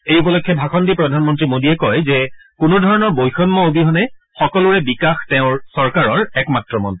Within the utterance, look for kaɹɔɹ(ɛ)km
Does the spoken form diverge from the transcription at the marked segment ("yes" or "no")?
no